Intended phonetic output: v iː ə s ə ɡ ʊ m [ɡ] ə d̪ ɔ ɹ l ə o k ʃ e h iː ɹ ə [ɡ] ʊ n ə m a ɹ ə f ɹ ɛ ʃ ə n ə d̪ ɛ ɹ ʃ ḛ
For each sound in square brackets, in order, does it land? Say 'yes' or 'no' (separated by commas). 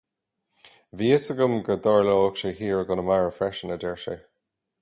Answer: yes, yes